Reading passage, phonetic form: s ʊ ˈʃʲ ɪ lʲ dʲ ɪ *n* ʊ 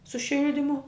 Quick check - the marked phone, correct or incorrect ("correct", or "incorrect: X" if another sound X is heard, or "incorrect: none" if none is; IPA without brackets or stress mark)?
incorrect: m